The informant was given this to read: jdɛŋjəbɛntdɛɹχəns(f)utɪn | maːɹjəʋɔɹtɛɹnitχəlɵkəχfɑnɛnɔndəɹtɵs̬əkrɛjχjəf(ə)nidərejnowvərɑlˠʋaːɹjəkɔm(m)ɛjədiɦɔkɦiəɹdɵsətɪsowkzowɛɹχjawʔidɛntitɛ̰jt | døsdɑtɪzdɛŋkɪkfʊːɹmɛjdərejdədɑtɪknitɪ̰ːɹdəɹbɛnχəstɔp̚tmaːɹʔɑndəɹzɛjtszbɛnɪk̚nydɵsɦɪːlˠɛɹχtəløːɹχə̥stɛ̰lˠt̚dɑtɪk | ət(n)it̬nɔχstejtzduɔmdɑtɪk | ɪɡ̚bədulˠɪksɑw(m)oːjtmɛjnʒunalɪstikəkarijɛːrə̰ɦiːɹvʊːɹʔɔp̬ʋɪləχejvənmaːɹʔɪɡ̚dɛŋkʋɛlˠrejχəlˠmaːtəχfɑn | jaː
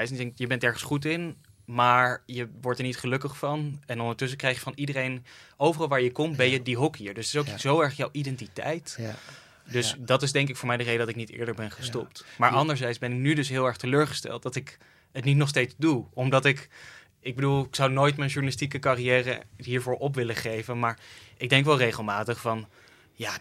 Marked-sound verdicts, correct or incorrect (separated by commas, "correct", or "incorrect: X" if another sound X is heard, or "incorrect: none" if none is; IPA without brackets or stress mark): incorrect: χ, incorrect: ɑ, incorrect: b, correct, incorrect: n